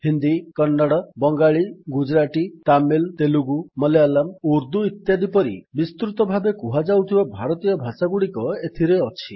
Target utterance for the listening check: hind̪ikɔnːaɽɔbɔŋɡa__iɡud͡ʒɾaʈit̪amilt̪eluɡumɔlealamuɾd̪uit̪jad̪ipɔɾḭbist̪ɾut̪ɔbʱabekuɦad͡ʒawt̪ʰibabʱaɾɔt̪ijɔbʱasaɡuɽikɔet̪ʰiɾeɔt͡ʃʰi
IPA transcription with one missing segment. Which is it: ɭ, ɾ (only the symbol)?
ɭ